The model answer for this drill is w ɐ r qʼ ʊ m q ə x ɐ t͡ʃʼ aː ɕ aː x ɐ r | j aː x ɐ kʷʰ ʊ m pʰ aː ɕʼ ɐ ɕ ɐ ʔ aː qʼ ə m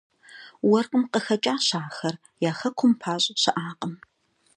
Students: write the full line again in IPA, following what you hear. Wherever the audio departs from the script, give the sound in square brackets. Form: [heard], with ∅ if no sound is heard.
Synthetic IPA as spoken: w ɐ r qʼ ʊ m q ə x ɐ t͡ʃʼ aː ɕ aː x ɐ r | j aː x ɐ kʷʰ ʊ m pʰ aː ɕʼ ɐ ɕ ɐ ʔ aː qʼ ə m